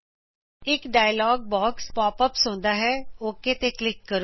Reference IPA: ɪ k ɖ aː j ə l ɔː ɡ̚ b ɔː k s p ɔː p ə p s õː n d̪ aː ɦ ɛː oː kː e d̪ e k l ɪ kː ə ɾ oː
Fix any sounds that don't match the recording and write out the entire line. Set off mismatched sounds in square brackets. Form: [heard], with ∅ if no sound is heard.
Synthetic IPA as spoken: ɪ k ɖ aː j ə l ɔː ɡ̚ b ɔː k s p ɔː p ə p s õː n d̪ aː ɦ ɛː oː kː e [t̪] e k l ɪ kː ə ɾ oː